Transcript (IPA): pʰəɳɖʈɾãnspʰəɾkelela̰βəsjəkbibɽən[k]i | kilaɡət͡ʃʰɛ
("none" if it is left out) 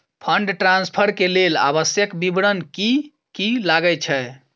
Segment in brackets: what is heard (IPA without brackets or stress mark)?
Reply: k